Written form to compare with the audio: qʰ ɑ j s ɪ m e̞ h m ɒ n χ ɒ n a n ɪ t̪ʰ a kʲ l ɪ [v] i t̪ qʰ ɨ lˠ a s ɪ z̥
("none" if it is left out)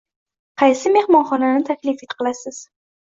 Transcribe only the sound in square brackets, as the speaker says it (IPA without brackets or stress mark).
f